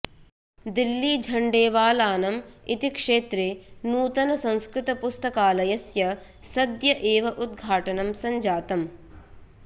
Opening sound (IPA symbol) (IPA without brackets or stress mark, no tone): d̪